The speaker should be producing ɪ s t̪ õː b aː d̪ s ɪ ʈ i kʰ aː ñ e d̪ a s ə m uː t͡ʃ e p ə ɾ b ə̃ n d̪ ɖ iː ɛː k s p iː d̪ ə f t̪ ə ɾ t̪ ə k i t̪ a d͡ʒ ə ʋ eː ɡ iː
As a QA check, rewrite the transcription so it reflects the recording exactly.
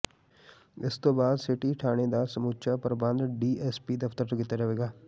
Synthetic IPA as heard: ɪ s t̪ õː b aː d̪ s ɪ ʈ i ʈʰ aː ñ e d̪ a s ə m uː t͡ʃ a p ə ɾ b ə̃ n d̪ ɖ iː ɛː s p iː d̪ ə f t̪ ə ɾ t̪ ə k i t̪ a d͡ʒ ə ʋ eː ɡ aː